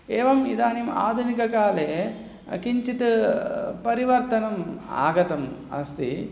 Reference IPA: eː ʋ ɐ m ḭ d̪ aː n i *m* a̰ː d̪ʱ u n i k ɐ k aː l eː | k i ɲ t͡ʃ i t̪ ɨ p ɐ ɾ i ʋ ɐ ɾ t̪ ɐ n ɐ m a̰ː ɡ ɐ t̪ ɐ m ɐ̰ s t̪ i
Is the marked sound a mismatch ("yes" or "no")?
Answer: no